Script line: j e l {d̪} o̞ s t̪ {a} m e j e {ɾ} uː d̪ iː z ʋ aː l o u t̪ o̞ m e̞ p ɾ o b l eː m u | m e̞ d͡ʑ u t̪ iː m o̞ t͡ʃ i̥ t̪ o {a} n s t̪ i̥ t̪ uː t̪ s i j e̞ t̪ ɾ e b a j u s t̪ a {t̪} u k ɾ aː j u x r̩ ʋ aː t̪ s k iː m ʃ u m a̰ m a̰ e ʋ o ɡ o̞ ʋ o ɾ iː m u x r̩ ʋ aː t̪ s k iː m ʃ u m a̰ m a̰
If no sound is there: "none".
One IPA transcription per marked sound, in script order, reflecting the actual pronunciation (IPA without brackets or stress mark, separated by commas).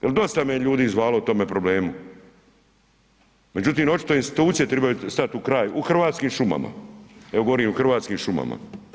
d̪, a, ʎ, i, t̪